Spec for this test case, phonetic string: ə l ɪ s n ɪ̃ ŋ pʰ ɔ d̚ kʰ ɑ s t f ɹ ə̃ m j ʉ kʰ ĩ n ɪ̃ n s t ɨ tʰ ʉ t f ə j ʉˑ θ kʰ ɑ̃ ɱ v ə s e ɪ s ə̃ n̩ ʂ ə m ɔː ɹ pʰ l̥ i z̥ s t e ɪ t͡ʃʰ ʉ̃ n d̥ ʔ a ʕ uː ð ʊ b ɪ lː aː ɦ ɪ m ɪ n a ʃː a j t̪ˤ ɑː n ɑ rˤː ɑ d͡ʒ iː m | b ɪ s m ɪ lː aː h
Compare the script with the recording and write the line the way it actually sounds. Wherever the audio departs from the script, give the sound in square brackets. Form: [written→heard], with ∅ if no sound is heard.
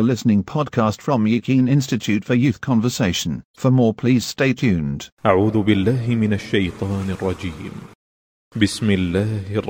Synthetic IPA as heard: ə l ɪ s n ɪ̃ ŋ pʰ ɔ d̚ kʰ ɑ s t f ɹ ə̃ m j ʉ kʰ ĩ n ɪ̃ n s t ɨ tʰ ʉ t f ə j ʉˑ θ kʰ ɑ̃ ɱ v ə s e ɪ [s→ʃ] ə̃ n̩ [ʂ→f] ə m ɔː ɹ pʰ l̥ i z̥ s t e ɪ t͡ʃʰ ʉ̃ n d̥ ʔ a ʕ uː ð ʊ b ɪ lː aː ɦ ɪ m ɪ n a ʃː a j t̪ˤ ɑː n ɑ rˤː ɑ d͡ʒ iː m | b ɪ s m ɪ lː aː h